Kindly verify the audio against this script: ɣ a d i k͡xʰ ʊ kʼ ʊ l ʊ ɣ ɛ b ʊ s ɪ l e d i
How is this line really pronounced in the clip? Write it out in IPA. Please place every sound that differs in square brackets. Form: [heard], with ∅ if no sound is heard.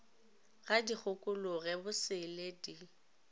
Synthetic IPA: ɣ a d i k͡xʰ ʊ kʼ ʊ l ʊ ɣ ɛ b ʊ s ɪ l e d i